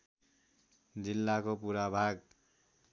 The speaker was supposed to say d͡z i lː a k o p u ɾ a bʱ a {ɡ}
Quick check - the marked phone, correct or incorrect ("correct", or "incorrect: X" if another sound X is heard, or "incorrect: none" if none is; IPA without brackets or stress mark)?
correct